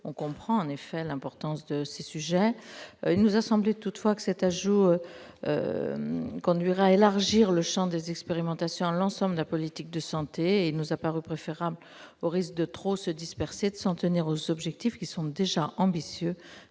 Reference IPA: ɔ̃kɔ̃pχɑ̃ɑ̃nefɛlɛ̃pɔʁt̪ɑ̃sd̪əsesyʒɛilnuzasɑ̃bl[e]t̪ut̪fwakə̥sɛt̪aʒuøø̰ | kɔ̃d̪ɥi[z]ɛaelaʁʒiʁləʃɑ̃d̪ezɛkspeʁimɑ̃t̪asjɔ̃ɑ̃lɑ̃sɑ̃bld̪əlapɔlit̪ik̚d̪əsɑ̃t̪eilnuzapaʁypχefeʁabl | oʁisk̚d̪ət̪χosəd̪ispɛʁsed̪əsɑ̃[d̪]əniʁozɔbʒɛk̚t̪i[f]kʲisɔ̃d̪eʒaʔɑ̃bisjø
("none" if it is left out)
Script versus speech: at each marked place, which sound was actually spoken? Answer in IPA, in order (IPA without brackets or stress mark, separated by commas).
e, ʁ, t̪, f